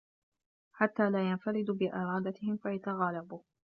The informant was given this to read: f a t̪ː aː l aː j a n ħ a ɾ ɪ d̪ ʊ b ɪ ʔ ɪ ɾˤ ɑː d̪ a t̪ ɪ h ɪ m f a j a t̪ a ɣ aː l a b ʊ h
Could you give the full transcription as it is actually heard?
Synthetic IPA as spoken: ħ a t̪ː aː l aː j a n f a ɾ ɪ d̪ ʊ b ɪ ʔ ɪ ɾˤ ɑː d̪ a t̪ ɪ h ɪ m f a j a t̪ a ɣ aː l a b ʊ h